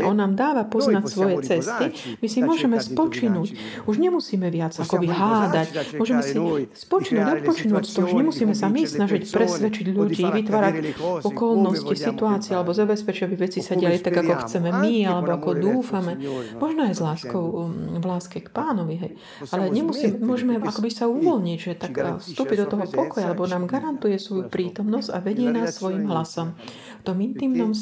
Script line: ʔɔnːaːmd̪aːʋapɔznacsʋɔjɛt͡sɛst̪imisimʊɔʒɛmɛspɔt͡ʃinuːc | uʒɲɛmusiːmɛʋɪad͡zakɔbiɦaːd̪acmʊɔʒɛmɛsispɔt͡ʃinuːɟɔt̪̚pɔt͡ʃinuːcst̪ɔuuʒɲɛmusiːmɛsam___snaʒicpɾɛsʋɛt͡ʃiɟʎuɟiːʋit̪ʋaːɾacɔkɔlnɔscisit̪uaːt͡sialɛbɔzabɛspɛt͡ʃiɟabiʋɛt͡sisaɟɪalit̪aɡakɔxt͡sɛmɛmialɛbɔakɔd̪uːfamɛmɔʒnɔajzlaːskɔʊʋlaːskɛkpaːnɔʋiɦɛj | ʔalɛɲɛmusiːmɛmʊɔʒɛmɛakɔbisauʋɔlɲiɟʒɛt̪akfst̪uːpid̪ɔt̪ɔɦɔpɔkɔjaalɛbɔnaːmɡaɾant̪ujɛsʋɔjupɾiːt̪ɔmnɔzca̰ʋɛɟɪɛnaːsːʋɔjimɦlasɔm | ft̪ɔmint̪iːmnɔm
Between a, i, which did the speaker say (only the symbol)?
i